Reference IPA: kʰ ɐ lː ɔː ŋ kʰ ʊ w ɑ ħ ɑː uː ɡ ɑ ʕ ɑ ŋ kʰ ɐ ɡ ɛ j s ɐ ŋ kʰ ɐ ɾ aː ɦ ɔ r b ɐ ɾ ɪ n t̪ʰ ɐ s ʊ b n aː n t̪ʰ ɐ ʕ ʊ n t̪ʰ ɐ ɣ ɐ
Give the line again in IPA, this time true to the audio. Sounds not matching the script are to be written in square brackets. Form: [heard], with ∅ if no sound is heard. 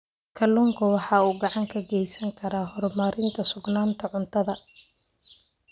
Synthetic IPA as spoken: kʰ ɐ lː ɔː ŋ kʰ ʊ w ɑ ħ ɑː uː ɡ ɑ ʕ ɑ ŋ kʰ ɐ ɡ ɛ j s ɐ ŋ kʰ ɐ ɾ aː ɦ ɔ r [m] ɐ ɾ ɪ n t̪ʰ ɐ s ʊ [ɡ] n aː n t̪ʰ ɐ ʕ ʊ n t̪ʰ ɐ [ð] ɐ